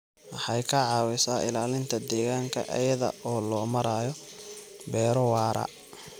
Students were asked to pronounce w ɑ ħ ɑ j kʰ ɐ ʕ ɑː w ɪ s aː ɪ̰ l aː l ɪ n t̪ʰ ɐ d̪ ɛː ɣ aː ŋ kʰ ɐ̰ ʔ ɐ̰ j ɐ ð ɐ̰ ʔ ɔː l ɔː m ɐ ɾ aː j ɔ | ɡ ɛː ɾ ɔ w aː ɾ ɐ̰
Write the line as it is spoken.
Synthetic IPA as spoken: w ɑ ħ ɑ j kʰ ɐ ʕ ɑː w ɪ s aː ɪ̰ l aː l ɪ n t̪ʰ ɐ d̪ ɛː ɣ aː ŋ kʰ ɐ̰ ʔ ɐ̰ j ɐ ð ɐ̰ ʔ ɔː l ɔː m ɐ ɾ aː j ɔ | b ɛː ɾ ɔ w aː ɾ ɐ̰